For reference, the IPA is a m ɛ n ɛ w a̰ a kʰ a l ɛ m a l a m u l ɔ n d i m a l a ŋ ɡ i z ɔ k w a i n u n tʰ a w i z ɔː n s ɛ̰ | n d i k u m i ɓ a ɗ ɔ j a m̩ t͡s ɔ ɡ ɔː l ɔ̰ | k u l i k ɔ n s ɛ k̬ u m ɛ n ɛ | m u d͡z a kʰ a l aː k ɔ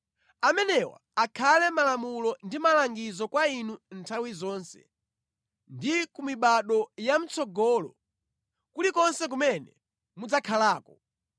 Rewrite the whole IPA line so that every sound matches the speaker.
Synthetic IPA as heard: a m ɛ n ɛ w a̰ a kʰ a l ɛ m a l a m u l ɔ n d i m a l a ŋ ɡ i z ɔ k w a i n u n tʰ a w i z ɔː n s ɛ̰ | n d i k u m i ɓ a ɗ ɔ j a m̩ t͡s ɔ ɡ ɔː l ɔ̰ | k u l i k ɔ n s ɛ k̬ u m ɛ n ɛ | m u d͡z a kʰ a l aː k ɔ